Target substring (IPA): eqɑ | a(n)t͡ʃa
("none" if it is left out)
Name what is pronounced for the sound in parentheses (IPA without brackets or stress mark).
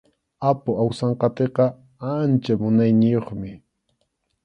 n